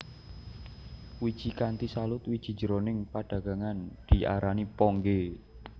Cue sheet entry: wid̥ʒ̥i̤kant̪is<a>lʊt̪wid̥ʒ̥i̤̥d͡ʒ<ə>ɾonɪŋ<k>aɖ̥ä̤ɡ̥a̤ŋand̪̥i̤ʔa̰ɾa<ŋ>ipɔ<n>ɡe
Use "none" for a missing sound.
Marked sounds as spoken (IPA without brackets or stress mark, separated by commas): a, ə, p, n, ŋ